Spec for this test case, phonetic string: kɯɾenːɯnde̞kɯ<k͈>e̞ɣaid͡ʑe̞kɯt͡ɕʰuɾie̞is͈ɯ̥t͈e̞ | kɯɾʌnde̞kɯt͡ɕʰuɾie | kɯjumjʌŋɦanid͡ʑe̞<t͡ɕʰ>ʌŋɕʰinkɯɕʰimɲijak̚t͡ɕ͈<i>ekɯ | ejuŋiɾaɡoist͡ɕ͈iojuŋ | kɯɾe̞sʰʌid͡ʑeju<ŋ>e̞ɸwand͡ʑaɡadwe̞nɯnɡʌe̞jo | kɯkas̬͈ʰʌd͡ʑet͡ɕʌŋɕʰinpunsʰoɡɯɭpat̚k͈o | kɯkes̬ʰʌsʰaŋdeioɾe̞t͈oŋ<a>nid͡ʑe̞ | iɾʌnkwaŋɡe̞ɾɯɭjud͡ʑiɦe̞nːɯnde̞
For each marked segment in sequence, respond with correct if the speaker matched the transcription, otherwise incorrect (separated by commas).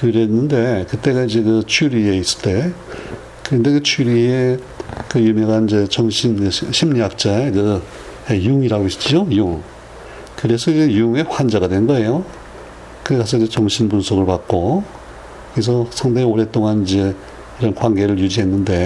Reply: incorrect, incorrect, incorrect, correct, correct